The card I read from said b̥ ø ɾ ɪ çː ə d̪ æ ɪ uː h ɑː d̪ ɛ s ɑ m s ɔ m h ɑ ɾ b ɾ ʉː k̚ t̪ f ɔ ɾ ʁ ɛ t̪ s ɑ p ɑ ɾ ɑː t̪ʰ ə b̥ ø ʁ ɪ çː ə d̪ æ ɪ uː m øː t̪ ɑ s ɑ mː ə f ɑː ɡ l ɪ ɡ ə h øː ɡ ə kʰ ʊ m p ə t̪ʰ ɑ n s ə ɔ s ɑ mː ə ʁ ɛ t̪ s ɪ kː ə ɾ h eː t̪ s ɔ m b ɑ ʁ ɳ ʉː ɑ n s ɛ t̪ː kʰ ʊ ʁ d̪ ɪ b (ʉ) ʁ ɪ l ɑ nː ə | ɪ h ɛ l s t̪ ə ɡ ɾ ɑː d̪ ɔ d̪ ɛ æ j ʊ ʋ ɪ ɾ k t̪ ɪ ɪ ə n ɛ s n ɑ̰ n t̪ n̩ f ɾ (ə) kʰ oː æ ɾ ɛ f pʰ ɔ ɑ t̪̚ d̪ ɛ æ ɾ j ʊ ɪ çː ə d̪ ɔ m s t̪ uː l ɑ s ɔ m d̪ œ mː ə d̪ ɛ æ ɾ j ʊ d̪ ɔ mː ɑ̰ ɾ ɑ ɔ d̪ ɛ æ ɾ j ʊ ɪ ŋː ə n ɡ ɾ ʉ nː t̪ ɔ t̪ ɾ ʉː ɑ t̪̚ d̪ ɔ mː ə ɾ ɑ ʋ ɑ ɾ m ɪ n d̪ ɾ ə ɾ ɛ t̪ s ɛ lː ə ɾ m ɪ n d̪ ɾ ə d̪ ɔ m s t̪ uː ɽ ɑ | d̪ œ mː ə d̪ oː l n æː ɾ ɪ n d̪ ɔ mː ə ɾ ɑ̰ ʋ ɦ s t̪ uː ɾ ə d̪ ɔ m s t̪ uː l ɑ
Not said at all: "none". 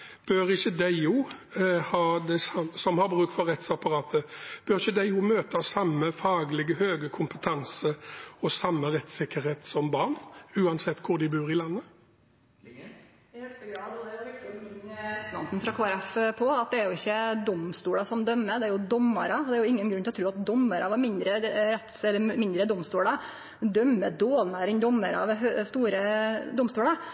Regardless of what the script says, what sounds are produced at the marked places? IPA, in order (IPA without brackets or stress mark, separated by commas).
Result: ʉː, ɑ